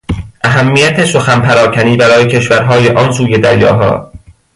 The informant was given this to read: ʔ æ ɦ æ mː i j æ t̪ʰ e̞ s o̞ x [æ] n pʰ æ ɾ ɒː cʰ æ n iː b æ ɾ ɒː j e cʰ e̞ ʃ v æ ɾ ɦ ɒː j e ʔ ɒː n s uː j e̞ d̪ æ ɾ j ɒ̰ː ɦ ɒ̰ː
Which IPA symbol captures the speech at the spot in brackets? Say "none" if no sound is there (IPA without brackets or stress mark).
æ